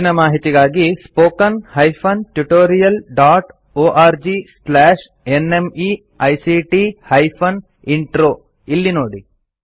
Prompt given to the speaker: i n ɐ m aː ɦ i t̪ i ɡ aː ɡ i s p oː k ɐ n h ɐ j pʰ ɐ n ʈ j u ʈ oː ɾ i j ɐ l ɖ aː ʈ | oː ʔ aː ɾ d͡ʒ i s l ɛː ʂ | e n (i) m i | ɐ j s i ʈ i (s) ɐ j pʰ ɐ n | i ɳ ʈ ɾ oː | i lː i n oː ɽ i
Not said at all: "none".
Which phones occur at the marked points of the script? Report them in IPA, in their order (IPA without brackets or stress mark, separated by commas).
e, h